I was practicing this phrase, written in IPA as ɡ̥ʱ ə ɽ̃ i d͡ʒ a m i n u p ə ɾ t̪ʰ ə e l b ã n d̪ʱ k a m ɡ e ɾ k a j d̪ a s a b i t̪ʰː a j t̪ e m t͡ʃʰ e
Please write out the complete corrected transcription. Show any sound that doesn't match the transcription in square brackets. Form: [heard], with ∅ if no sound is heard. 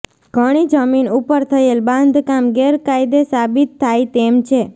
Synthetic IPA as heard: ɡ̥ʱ ə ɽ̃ i d͡ʒ [ə] m i n u p ə ɾ t̪ʰ ə e l b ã n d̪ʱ k a m ɡ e ɾ k a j d̪ [e] s a b i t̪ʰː a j t̪ e m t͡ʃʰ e